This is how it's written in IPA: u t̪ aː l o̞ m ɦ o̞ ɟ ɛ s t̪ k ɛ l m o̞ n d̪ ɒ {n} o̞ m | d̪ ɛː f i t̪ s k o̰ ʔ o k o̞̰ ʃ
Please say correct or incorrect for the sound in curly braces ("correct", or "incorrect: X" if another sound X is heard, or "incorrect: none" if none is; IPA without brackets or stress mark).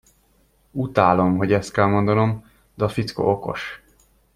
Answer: correct